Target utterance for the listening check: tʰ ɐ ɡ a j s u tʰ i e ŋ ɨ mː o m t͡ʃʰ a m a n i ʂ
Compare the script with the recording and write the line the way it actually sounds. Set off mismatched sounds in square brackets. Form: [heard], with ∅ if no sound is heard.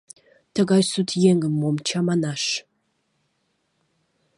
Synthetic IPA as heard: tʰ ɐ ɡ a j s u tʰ [j] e ŋ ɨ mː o m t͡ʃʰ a m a n [a] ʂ